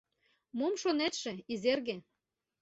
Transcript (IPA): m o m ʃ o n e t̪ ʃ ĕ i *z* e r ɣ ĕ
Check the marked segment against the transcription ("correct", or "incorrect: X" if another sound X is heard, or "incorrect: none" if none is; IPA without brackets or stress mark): correct